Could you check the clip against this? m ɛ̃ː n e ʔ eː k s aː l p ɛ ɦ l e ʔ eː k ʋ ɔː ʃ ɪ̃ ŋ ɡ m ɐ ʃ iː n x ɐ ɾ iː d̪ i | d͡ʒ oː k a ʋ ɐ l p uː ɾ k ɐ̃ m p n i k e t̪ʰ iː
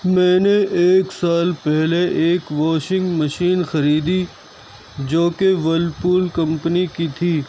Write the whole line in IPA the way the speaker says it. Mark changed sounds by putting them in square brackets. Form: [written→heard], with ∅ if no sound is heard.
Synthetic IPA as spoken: m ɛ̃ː n e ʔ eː k s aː l p ɛ ɦ l e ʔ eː k ʋ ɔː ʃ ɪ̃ ŋ ɡ m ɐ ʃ iː n x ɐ ɾ iː d̪ i | d͡ʒ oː k [a→e] ʋ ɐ l p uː [ɾ→l] k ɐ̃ m p n i k [e→i] t̪ʰ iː